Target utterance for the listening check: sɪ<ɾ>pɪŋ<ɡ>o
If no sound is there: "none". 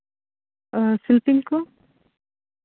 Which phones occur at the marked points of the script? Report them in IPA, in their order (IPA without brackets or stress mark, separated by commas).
l, k